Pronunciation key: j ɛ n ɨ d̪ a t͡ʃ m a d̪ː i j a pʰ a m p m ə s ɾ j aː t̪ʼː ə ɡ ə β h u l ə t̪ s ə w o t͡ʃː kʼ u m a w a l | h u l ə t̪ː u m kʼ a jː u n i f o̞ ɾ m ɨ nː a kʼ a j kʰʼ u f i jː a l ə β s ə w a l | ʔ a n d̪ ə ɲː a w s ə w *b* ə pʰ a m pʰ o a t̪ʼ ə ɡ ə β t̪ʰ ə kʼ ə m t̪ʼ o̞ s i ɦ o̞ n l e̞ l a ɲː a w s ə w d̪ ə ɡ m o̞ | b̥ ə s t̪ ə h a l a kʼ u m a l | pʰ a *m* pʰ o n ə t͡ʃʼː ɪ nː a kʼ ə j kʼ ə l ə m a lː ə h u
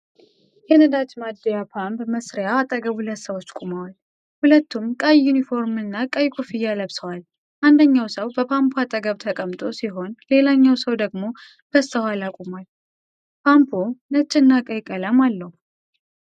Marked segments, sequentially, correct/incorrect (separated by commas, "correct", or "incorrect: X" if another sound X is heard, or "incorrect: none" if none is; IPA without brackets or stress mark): correct, correct